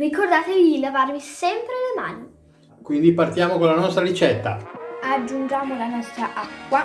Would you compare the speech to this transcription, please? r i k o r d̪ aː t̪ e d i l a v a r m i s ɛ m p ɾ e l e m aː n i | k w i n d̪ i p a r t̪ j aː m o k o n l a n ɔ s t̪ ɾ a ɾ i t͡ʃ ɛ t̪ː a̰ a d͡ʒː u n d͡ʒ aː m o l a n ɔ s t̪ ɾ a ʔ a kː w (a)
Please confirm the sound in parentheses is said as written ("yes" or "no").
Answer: yes